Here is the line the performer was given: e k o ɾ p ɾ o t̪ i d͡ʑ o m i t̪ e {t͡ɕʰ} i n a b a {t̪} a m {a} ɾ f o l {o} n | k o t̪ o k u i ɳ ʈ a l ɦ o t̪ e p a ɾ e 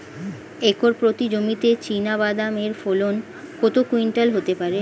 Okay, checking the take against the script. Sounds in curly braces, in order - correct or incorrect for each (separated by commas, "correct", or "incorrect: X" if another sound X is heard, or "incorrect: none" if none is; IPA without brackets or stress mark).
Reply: incorrect: t͡ɕ, incorrect: d̪, incorrect: e, correct